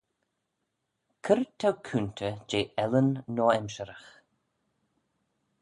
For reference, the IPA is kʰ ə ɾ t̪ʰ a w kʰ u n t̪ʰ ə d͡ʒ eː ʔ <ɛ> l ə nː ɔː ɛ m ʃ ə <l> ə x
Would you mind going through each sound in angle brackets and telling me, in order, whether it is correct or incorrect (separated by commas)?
correct, incorrect